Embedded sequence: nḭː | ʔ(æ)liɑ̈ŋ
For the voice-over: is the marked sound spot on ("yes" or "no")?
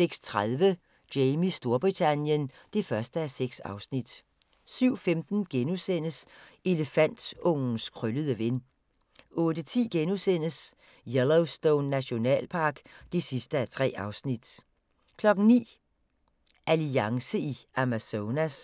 yes